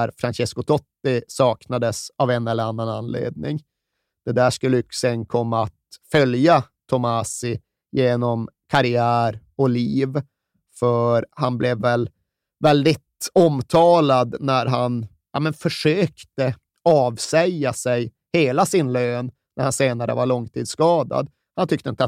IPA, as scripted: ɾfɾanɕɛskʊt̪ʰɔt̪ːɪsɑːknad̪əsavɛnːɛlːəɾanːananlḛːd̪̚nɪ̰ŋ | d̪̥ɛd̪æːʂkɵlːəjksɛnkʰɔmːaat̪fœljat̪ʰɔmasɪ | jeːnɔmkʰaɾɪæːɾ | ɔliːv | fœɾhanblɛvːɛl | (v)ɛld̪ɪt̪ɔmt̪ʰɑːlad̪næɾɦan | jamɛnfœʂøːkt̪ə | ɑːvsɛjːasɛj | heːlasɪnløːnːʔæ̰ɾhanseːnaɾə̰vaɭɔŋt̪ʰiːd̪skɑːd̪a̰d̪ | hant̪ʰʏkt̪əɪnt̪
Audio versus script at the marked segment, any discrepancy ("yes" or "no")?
no